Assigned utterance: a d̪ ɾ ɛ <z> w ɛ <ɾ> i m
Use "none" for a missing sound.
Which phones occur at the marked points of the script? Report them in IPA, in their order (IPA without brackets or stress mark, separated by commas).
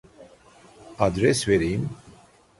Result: s, ɾ